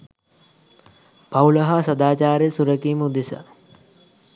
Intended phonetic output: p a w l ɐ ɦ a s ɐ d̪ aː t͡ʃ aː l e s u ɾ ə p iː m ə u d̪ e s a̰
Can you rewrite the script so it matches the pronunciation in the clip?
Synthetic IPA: p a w l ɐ ɦ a s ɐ d̪ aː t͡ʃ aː ɾ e s u ɾ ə k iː m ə u d̪ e s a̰